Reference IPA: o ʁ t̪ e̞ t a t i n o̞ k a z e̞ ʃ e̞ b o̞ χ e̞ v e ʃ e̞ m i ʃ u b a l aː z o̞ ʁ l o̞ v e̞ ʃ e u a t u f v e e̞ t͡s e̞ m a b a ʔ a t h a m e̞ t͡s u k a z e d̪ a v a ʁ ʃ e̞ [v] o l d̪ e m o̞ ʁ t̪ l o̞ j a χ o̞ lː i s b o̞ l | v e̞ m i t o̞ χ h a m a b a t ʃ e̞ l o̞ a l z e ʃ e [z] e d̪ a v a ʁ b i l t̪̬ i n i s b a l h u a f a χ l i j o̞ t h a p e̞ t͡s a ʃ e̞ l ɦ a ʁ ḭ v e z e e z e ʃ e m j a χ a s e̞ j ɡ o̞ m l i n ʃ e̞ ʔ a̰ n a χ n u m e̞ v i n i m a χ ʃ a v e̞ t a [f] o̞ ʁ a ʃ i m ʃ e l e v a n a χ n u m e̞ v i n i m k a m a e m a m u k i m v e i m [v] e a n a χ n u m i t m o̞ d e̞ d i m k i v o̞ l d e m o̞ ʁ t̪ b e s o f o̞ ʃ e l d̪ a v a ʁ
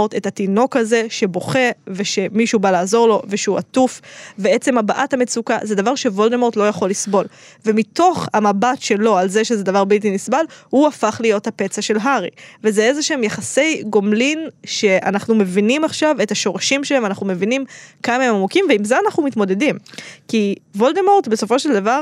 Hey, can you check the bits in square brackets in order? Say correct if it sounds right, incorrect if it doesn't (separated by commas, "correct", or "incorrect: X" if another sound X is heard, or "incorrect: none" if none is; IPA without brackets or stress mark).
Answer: correct, correct, incorrect: ʃ, incorrect: z